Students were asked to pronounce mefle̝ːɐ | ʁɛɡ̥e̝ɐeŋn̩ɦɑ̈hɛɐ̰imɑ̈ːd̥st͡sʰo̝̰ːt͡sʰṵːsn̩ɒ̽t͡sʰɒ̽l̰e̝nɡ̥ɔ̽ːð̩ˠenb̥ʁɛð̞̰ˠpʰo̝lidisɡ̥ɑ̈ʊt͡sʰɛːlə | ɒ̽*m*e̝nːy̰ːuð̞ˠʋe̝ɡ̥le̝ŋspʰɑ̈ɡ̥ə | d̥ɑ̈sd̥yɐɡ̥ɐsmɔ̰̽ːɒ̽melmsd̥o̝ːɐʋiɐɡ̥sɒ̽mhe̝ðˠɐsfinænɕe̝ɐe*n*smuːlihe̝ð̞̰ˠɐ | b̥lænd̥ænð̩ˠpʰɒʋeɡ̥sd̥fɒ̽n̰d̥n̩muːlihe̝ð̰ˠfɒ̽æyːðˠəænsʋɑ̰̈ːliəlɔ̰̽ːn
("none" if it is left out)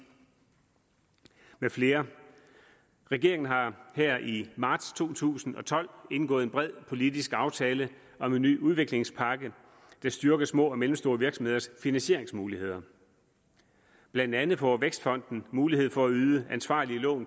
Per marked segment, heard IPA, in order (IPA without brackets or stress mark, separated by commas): m, ŋ